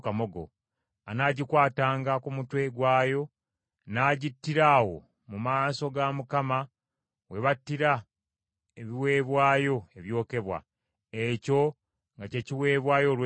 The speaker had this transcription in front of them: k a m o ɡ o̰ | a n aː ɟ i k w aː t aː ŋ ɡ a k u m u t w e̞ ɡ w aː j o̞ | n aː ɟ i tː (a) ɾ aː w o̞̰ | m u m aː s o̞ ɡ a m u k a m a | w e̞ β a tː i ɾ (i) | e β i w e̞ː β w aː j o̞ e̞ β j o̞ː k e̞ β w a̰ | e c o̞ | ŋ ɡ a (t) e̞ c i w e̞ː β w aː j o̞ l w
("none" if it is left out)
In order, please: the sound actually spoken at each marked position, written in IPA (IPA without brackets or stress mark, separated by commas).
i, a, c